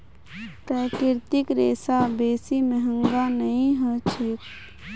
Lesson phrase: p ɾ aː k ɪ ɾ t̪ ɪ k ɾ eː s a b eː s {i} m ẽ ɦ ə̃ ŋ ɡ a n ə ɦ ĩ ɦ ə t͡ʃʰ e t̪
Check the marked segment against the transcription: correct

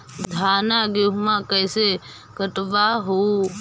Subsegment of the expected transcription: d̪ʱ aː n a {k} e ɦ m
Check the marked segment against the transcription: incorrect: ɡ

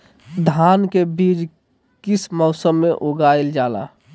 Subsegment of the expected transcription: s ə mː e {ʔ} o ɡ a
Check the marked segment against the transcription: correct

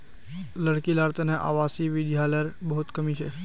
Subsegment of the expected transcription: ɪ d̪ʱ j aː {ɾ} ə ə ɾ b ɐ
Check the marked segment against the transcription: incorrect: l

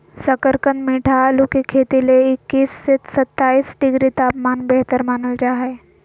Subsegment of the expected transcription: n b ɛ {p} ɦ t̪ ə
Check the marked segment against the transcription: incorrect: none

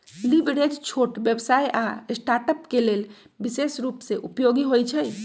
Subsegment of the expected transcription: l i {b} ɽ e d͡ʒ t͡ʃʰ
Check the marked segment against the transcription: correct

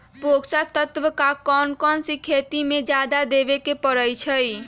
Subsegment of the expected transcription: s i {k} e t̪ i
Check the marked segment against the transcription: incorrect: kʰ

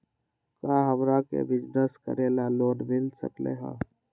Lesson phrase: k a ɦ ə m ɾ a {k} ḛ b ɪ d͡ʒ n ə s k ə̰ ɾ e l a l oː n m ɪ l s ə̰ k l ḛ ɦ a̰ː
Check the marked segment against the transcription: correct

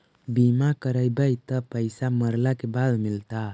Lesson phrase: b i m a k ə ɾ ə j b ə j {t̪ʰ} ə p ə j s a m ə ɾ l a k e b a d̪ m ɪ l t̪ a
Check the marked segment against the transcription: incorrect: t̪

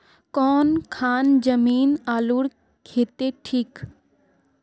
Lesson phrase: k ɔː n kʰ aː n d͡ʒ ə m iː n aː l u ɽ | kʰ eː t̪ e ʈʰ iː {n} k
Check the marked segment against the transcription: incorrect: none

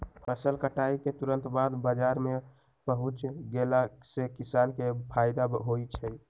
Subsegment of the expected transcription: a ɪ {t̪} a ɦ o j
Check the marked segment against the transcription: incorrect: d̪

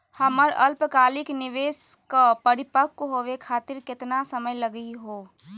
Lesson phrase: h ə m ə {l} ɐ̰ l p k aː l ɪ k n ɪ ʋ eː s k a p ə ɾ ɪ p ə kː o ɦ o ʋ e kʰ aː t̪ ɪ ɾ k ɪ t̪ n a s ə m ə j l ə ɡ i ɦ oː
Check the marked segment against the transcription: incorrect: ɾ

